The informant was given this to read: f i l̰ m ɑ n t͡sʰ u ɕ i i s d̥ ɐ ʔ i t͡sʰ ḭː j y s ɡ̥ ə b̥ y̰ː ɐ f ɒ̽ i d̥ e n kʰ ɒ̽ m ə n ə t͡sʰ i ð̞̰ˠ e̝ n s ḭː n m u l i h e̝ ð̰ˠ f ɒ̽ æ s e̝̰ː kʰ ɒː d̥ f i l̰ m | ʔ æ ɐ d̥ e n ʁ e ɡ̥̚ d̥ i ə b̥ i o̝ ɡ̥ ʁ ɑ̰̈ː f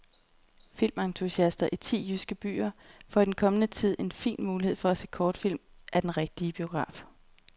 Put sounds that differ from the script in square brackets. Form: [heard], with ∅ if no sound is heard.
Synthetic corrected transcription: f i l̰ m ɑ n t͡sʰ u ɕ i [æ] s d̥ ɐ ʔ i t͡sʰ ḭː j y s ɡ̥ ə b̥ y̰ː ɐ f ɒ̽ i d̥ e n kʰ ɒ̽ m ə n ə t͡sʰ i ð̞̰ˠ e̝ n [f] ḭː n m [uː] l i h e̝ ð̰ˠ f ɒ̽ æ s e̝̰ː kʰ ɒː d̥ f i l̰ m | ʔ æ ɐ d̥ e n ʁ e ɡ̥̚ d̥ i ə b̥ i o̝ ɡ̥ ʁ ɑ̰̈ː f